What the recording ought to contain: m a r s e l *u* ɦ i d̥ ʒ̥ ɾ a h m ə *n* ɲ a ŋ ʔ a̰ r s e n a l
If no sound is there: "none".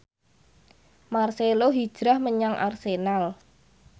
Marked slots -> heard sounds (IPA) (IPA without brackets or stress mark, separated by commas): o, none